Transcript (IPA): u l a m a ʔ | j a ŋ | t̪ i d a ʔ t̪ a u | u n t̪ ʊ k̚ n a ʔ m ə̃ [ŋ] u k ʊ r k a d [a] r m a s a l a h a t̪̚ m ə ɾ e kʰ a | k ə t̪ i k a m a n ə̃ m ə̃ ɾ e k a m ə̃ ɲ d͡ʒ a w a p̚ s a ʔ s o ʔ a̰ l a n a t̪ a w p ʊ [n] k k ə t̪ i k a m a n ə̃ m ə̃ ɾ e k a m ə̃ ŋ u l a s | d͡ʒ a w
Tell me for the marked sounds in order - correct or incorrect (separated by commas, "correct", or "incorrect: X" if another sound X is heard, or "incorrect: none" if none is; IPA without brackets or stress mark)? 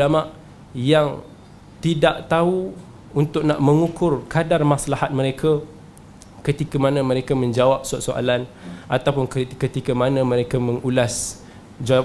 correct, correct, correct